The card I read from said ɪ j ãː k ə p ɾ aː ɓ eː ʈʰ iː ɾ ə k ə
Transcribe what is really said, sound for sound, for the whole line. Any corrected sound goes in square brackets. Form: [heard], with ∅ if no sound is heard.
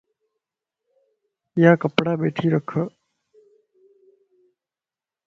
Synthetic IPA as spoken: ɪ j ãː k ə p [ɽ] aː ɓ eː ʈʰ iː ɾ ə [kʰ] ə